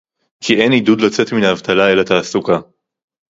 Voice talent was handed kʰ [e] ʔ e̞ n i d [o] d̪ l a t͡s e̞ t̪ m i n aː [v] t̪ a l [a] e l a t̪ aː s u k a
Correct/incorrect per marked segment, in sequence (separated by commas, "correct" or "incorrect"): incorrect, incorrect, correct, correct